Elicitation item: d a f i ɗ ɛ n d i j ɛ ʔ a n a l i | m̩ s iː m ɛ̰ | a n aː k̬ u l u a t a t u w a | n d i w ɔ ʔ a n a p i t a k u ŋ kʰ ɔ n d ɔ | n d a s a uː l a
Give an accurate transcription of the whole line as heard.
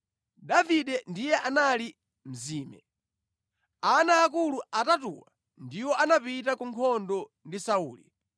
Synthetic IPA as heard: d a v i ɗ ɛ n d i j ɛ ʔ a n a l i | m̩ z iː m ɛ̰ | a n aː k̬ u l u a t a t u w a | n d i w ɔ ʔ a n a p i t a k u ŋ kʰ ɔ n d ɔ | n d i s a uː l i